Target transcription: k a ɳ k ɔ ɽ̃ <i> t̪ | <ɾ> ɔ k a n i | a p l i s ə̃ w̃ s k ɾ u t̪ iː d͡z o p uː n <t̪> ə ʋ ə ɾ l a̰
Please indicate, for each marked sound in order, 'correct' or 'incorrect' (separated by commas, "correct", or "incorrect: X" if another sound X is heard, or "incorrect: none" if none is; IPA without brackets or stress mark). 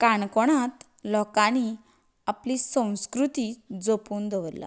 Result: incorrect: a, incorrect: l, incorrect: d̪